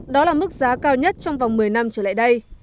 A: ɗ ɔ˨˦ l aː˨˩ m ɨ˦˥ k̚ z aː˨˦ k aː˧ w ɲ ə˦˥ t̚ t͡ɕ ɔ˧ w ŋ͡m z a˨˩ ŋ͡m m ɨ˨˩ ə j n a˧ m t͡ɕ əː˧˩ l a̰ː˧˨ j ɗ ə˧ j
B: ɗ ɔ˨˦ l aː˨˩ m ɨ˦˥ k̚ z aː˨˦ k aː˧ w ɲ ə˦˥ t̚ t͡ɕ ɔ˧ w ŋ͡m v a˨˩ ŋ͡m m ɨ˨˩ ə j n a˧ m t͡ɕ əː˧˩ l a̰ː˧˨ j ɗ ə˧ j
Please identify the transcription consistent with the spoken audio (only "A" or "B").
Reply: B